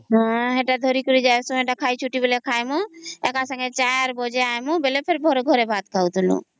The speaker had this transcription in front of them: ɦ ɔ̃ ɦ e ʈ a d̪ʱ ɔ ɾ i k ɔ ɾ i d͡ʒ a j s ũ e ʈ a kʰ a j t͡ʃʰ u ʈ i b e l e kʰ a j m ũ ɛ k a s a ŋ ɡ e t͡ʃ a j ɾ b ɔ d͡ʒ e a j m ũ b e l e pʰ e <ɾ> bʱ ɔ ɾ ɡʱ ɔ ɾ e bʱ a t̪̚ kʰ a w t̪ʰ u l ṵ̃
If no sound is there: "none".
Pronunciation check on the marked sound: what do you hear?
ɾ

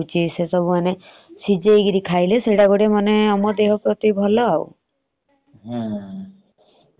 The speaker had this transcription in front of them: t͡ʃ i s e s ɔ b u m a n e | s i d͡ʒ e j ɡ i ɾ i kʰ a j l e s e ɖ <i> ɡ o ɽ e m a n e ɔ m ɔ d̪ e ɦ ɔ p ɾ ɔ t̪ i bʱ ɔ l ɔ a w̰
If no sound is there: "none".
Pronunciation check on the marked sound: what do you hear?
a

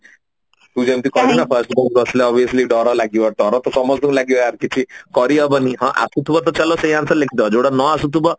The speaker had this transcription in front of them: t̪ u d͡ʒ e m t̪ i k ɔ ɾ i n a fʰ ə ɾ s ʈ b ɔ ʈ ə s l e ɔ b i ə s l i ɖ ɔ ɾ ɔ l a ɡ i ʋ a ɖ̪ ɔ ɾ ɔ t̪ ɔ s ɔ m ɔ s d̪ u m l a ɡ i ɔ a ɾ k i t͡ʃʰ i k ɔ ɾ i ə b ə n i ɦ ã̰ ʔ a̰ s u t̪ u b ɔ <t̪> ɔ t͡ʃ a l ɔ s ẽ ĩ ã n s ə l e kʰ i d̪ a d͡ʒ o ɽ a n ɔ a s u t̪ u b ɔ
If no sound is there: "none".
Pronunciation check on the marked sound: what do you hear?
t̪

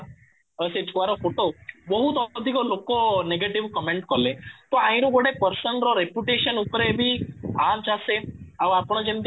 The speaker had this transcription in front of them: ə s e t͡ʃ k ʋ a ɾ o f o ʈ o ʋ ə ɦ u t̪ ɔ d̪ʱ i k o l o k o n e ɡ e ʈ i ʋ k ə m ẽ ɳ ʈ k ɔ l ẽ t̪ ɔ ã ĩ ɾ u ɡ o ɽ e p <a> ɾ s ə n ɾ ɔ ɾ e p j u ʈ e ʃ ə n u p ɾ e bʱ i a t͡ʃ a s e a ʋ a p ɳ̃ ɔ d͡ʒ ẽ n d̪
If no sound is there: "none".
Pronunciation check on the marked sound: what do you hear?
ə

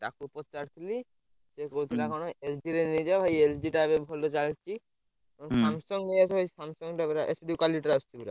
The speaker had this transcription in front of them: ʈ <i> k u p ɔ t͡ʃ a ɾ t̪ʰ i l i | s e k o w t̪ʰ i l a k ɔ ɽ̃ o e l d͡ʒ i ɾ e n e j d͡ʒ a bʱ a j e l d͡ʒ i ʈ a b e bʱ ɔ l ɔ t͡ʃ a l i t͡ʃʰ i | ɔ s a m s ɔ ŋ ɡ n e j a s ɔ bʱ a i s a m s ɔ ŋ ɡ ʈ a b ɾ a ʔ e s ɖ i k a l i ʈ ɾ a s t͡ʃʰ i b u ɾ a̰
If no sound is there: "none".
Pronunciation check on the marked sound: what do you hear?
a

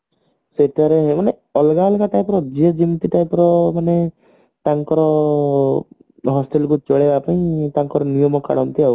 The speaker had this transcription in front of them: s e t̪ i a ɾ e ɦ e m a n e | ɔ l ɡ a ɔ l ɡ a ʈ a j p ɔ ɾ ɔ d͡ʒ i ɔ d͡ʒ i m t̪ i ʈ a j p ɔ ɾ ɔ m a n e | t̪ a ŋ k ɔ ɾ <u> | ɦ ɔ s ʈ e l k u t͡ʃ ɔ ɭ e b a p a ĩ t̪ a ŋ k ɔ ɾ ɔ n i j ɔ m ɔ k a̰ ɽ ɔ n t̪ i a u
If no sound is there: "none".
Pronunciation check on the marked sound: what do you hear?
ɔ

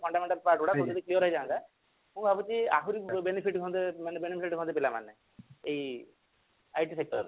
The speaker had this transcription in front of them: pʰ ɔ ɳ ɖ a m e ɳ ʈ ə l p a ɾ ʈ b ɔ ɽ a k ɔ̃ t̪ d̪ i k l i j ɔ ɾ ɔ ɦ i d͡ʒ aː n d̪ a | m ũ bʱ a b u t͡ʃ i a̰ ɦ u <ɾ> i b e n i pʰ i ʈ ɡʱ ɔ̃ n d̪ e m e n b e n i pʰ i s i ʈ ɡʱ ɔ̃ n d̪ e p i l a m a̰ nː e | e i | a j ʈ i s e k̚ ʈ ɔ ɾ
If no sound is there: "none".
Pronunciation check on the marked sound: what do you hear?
ɾ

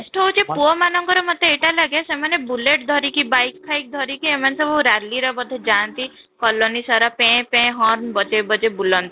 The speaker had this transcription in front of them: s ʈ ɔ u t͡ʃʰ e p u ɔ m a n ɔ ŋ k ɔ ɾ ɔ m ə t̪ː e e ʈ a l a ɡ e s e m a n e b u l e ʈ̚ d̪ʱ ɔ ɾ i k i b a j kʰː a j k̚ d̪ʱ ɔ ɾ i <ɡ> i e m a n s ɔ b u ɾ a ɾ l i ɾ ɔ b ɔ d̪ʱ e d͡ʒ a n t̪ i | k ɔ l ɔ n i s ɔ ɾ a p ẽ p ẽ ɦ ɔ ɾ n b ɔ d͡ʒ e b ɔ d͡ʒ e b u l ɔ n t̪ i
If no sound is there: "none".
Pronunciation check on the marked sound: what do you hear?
k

